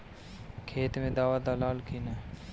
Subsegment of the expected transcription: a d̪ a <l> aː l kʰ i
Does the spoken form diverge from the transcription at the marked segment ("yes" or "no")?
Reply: no